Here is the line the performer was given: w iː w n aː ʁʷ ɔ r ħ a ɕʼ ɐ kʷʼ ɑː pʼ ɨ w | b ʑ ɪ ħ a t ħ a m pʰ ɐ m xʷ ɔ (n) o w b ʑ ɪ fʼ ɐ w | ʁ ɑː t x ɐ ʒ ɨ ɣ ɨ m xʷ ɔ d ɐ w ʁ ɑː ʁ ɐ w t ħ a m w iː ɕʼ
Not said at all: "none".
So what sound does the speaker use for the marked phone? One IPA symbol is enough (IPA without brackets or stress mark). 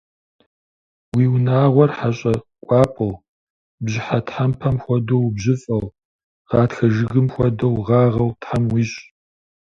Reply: d